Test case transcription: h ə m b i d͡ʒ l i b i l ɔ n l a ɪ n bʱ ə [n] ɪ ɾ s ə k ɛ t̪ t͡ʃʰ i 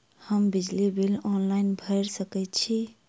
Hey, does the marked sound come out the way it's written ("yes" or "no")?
no